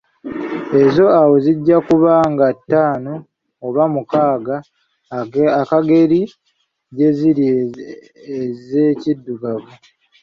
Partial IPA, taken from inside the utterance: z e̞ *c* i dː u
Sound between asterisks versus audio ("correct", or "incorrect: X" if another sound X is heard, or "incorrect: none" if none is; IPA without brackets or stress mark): correct